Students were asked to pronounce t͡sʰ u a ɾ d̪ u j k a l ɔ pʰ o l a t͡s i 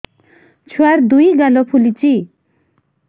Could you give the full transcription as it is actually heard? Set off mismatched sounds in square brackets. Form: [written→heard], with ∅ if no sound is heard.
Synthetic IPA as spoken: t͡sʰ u a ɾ d̪ u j [k→ɡ] a l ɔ pʰ [o→u] l [a→i] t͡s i